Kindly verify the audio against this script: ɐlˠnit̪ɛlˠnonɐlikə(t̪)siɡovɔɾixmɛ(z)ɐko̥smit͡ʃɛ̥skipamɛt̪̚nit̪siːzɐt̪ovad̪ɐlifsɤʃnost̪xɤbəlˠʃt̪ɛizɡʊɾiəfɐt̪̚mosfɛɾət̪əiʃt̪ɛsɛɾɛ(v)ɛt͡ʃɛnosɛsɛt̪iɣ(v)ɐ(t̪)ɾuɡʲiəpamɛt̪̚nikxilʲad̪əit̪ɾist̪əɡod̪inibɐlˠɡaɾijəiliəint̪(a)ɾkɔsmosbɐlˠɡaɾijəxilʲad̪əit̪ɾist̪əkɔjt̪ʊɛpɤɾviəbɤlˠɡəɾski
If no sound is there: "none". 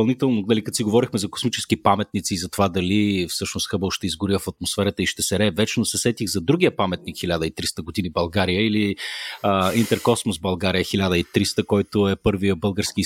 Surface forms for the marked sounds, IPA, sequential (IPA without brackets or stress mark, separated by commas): t̪, z, v, z, d̪, ɛ